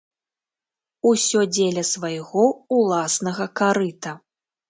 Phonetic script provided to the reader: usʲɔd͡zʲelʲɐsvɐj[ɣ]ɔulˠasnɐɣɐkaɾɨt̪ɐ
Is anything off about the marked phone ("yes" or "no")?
no